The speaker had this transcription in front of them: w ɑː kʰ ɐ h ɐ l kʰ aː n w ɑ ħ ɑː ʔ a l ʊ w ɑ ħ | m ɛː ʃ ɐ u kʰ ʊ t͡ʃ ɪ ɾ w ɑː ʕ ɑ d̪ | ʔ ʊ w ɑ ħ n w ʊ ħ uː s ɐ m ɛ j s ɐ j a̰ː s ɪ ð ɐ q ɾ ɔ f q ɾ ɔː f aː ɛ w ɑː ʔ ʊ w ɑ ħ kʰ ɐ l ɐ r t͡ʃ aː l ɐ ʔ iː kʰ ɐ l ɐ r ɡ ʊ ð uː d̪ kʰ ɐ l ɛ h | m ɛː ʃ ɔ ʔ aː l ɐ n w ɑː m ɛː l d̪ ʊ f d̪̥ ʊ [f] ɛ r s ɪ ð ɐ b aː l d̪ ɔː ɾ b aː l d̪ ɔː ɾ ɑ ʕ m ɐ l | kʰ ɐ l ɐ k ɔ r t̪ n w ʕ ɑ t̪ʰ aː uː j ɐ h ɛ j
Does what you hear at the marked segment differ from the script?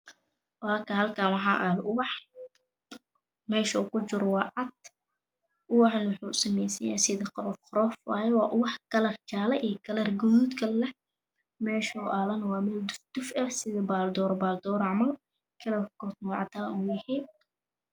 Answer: no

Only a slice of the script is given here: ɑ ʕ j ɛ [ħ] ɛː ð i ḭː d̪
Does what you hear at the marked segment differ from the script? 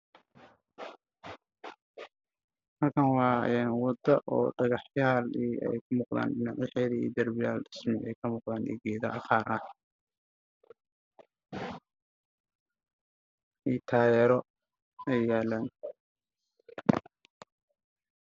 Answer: no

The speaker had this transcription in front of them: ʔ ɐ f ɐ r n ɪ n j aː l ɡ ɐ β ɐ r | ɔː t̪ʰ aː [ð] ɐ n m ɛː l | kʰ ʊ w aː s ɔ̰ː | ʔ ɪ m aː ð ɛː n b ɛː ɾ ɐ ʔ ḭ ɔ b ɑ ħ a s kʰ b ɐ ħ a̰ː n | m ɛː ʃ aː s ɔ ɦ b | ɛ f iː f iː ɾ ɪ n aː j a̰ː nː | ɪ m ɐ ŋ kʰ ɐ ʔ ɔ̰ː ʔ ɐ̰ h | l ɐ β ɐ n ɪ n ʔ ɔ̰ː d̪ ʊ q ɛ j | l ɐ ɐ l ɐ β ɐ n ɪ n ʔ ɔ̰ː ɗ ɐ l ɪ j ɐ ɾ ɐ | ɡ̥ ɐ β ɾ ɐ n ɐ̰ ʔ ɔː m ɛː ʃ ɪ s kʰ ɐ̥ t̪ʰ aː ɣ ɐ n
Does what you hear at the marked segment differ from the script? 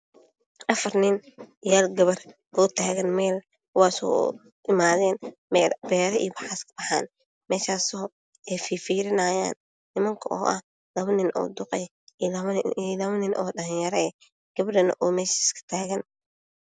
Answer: yes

